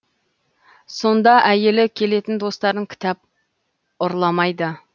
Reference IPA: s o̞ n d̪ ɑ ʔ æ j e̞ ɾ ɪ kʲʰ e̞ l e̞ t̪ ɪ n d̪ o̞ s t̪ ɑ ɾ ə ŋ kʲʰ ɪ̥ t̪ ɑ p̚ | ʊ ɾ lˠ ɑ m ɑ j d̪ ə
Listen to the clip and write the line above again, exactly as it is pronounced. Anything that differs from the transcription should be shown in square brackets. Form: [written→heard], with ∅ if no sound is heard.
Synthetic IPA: s o̞ n d̪ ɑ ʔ æ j e̞ [ɾ→l] ɪ kʲʰ e̞ l e̞ t̪ ɪ n d̪ o̞ s t̪ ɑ ɾ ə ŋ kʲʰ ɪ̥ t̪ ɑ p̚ | ʊ ɾ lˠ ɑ m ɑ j d̪ ə